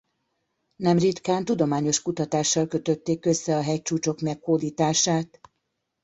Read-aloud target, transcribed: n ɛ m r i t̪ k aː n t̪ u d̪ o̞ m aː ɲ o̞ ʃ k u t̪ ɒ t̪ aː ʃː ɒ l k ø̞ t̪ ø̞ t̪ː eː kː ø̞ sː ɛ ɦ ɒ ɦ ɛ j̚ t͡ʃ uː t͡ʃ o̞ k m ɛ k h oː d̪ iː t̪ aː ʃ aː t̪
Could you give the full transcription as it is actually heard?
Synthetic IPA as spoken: n ɛ m r i t̪ k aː n t̪ u d̪ o̞ m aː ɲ o̞ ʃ k u t̪ ɒ t̪ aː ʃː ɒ l k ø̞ t̪ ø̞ t̪ː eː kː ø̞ sː ɛ ɒ ɦ ɛ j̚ t͡ʃ uː t͡ʃ o̞ k m ɛ k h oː d̪ iː t̪ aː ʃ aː t̪